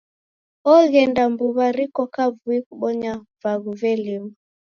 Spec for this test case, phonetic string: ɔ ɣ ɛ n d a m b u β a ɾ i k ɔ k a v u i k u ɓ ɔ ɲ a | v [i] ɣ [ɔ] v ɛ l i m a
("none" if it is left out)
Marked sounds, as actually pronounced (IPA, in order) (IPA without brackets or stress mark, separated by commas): a, u